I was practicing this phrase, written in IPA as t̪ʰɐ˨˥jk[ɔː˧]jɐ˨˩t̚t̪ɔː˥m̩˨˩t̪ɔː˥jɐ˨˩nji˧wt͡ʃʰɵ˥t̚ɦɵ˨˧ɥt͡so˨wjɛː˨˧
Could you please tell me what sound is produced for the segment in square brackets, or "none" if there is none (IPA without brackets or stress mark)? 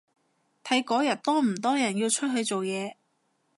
ɔː˨˥